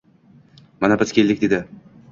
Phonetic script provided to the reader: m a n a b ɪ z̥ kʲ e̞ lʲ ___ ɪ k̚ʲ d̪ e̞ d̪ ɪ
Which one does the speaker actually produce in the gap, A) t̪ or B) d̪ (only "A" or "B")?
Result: B